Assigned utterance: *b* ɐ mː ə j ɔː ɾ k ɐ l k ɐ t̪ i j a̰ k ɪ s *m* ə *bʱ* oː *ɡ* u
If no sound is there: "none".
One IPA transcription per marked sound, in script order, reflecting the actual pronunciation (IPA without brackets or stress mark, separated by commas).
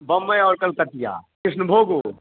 b, n, bʱ, ɡ